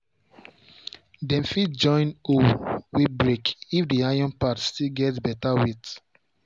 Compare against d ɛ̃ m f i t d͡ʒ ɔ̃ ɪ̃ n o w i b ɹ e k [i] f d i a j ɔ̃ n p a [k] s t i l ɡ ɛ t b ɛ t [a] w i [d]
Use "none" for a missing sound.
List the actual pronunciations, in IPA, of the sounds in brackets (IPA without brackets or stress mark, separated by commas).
i, t, a, t